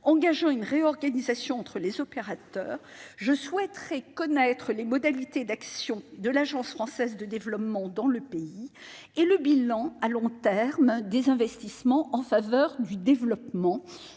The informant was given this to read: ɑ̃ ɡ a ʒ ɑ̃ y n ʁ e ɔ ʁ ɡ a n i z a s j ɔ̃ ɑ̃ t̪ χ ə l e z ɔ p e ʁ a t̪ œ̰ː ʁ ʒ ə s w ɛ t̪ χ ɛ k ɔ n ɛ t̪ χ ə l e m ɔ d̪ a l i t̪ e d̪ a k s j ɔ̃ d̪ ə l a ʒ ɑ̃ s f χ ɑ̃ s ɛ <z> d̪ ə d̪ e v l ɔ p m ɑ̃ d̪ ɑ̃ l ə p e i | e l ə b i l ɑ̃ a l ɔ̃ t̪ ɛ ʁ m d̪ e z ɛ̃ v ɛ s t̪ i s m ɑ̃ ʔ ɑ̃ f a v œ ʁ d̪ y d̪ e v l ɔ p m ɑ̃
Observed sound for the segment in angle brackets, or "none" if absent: z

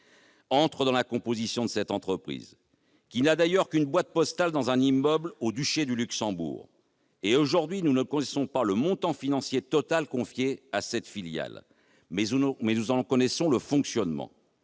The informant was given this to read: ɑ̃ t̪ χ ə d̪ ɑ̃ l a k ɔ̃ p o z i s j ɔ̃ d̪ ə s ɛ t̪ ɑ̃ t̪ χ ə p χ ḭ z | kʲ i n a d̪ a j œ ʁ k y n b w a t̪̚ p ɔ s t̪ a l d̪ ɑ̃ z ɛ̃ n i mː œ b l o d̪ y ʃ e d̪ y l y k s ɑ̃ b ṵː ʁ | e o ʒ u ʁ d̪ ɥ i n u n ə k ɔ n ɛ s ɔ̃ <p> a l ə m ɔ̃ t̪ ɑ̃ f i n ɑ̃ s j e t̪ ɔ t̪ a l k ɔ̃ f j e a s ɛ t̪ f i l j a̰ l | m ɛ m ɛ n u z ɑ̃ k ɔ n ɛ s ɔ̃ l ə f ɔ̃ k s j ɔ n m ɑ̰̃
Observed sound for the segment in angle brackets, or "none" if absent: p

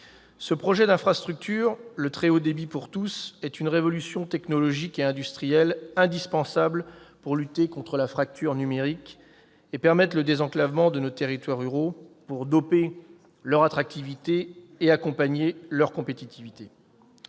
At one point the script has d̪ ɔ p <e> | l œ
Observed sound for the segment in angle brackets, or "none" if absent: e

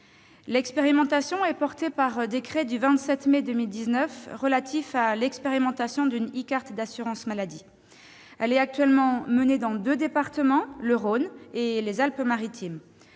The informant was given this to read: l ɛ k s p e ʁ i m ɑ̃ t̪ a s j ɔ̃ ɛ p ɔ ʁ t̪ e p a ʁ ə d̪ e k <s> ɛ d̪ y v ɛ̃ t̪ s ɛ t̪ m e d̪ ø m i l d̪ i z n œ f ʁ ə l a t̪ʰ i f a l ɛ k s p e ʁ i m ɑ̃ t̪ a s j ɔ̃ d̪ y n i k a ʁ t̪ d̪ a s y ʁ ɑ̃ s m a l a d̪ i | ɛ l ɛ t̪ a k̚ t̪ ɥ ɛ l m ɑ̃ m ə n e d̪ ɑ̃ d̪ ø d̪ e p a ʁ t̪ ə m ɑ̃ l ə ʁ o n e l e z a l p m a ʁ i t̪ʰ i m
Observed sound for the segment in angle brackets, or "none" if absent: χ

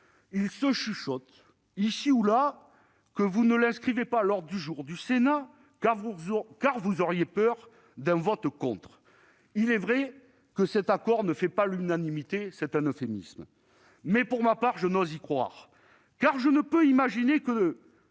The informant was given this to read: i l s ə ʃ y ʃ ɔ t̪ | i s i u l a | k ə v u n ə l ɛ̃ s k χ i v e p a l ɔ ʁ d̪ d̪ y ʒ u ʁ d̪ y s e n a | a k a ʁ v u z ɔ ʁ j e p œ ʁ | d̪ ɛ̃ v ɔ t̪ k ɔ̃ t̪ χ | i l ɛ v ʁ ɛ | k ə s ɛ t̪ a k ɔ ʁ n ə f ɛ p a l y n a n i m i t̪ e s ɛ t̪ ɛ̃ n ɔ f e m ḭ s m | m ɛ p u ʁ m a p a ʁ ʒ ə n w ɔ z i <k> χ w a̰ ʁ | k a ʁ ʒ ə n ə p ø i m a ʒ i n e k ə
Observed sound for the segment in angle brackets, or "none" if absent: k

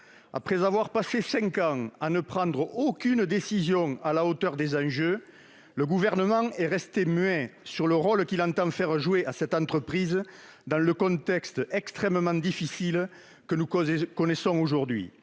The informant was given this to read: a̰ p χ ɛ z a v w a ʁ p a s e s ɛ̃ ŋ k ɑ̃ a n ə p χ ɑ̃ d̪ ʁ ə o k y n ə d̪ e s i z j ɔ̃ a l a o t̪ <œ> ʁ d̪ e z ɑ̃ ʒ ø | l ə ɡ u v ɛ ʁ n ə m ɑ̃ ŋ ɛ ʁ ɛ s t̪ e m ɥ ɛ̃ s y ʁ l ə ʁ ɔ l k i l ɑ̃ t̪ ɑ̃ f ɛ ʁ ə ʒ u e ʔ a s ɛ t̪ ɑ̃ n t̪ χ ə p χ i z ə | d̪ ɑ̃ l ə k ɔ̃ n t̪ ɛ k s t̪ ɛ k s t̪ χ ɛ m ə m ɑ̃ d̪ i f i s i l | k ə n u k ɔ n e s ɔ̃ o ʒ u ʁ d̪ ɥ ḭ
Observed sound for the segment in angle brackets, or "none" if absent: œ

